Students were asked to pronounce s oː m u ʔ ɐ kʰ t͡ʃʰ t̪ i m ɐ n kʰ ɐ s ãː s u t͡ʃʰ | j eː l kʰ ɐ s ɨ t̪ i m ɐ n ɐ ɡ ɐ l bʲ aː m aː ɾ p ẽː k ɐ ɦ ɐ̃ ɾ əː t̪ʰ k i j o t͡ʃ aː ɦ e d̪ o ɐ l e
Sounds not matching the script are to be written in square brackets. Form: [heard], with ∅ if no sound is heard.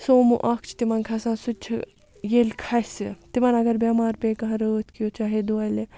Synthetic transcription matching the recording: s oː m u ʔ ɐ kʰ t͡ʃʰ t̪ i m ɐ n kʰ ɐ s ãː s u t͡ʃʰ | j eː l kʰ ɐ s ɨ t̪ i m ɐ n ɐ ɡ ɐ [ɾ] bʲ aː m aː ɾ p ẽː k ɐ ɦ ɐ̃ ɾ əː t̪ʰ k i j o t͡ʃ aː ɦ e d̪ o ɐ l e